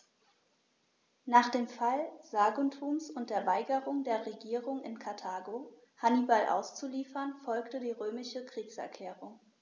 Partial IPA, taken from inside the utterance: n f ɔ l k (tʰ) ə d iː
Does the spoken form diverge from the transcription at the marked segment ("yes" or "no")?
yes